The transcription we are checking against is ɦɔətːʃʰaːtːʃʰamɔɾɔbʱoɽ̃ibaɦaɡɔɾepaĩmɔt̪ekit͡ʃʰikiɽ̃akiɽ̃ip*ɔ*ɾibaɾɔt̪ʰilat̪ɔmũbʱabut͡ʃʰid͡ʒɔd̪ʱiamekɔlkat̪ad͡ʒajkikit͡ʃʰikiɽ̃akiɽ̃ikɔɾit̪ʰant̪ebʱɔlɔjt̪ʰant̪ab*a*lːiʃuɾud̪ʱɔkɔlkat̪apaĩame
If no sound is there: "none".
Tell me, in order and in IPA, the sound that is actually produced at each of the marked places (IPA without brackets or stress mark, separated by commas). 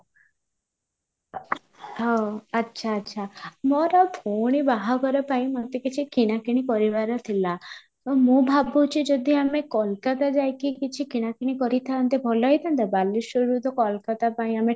ɔ, a